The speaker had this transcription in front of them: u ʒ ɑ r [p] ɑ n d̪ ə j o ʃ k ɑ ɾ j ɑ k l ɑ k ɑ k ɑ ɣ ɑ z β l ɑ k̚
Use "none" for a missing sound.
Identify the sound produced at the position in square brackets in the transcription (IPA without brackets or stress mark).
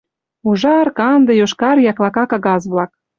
k